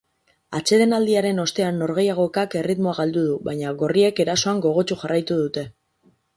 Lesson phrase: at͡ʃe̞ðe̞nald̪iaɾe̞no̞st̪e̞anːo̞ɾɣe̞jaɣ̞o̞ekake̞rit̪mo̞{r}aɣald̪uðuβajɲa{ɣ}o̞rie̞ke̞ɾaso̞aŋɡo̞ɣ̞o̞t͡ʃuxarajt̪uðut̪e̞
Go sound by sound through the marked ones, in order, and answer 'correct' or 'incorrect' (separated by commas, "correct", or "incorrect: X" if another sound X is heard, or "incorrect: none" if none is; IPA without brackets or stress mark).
incorrect: none, correct